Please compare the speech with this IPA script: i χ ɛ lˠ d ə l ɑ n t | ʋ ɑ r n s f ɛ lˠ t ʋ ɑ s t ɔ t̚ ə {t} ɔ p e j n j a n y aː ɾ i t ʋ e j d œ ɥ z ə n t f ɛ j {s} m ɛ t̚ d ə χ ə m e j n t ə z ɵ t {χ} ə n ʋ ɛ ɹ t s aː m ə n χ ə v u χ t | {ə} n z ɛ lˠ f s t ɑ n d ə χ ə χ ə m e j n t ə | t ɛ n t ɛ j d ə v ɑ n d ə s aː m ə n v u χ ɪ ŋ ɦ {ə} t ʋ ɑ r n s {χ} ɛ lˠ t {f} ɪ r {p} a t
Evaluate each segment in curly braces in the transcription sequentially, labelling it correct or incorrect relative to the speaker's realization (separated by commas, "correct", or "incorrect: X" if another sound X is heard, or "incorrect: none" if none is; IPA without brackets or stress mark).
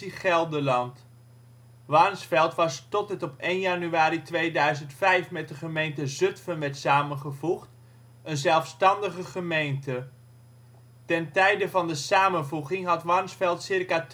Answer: correct, incorrect: f, incorrect: f, correct, incorrect: ɑ, incorrect: f, incorrect: s, incorrect: k